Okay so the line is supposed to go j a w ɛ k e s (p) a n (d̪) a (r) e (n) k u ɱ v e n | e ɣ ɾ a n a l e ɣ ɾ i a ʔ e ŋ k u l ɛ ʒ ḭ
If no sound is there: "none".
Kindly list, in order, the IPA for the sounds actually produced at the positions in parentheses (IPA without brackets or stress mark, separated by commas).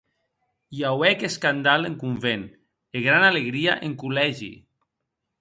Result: k, d̪, l, ŋ